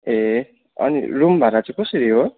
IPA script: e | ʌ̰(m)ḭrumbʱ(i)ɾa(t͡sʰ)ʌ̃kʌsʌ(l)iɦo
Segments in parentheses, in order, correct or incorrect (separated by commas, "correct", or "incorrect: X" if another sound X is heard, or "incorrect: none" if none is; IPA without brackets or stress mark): incorrect: n, incorrect: a, incorrect: t͡s, incorrect: ɾ